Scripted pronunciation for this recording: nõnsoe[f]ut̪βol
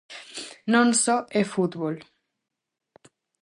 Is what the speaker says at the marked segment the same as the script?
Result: yes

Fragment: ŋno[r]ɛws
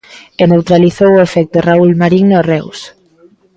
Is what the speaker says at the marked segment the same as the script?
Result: yes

